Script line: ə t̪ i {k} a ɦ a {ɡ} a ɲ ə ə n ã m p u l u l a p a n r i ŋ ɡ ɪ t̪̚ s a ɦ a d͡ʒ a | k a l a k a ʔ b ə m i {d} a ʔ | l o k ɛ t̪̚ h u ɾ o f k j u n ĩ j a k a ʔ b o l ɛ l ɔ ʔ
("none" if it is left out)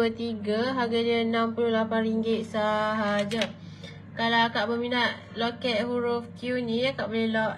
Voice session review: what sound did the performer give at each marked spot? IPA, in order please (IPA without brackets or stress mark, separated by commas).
ɡ, ɡ, n